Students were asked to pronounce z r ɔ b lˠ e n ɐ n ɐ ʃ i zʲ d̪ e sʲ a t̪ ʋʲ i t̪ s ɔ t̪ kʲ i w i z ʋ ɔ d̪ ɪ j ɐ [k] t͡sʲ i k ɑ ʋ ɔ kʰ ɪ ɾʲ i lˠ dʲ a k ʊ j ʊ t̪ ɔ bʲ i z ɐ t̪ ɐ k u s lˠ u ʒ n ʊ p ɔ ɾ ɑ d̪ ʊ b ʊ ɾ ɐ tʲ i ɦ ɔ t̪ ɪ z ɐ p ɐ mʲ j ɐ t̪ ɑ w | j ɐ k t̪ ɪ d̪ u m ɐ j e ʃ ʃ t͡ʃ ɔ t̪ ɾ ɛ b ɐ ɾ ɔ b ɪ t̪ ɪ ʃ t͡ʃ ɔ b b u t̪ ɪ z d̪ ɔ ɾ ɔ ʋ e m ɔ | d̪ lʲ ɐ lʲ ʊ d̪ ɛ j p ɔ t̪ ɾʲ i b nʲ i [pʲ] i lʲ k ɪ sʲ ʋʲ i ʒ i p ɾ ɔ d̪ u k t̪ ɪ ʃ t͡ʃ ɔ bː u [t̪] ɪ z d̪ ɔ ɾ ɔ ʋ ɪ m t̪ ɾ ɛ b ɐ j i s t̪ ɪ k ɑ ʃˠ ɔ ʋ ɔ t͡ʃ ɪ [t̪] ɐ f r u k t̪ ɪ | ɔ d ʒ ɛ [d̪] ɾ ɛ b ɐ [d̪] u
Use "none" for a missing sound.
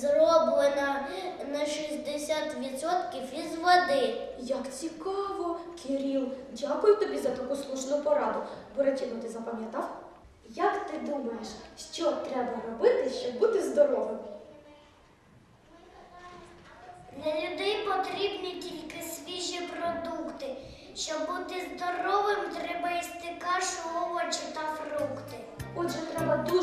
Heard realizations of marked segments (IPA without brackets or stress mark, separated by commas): k, tʲ, t̪, t̪, t̪, d̪